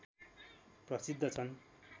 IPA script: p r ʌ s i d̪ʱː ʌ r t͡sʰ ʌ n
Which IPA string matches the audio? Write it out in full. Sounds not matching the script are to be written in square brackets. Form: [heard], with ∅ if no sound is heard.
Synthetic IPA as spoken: p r ʌ s i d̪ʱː ʌ [∅] t͡sʰ ʌ n